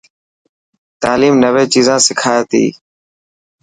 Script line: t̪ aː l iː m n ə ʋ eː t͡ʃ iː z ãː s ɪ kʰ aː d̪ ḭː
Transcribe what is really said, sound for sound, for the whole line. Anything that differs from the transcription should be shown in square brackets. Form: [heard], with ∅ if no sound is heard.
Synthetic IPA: t̪ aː l iː m n ə ʋ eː t͡ʃ iː z ãː s ɪ kʰ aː [t̪] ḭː